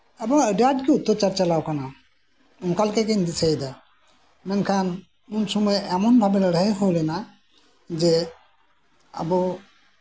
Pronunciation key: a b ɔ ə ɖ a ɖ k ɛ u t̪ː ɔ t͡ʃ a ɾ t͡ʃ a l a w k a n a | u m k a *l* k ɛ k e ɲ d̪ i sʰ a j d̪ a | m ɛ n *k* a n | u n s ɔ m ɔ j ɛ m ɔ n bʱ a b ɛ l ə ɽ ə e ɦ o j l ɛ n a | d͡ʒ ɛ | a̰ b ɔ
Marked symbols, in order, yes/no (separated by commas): yes, no